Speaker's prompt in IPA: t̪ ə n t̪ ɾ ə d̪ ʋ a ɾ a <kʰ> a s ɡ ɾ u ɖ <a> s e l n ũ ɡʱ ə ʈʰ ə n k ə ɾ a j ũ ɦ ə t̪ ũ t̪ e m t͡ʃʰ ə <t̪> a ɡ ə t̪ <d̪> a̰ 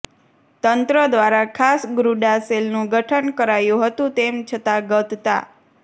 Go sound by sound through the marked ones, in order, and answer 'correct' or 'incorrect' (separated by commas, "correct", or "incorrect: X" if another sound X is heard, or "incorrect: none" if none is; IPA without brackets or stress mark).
correct, correct, correct, incorrect: t̪